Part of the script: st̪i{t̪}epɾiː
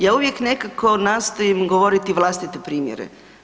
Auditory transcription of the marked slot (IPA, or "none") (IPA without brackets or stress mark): t̪